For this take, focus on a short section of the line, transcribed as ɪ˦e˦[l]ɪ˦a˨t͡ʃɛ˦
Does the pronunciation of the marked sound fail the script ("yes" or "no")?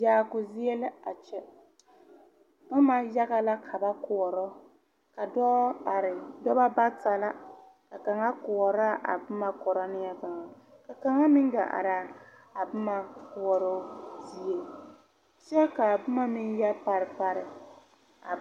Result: no